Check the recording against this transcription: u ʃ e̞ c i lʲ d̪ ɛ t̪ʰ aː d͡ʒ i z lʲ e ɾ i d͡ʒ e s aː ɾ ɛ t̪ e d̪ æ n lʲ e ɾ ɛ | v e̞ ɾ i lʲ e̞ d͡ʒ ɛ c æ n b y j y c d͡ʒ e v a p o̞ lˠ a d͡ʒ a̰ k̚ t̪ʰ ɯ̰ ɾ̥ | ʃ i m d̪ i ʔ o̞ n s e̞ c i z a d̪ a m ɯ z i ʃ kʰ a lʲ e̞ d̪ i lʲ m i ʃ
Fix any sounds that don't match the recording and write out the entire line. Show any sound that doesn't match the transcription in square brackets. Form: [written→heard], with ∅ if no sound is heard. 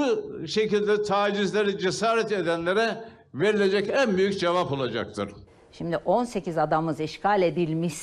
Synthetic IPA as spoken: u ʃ e̞ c i lʲ d̪ ɛ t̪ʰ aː d͡ʒ i z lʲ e ɾ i d͡ʒ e s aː ɾ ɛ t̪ e d̪ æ n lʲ e ɾ ɛ | v e̞ ɾ i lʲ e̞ d͡ʒ ɛ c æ n b y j y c d͡ʒ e v a p o̞ lˠ a d͡ʒ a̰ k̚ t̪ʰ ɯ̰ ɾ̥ | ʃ i m d̪ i ʔ o̞ n s e̞ c i z a d̪ a m ɯ z i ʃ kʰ a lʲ e̞ d̪ i lʲ m i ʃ